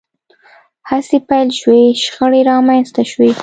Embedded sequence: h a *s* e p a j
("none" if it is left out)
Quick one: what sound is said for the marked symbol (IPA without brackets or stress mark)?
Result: s